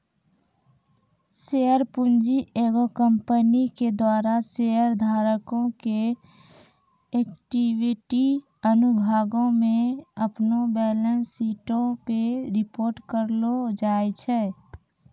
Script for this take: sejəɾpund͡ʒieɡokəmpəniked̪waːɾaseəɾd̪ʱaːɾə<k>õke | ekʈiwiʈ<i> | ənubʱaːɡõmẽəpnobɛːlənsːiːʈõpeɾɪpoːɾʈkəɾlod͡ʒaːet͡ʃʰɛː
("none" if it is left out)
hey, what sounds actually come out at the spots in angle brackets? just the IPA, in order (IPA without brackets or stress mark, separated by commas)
k, i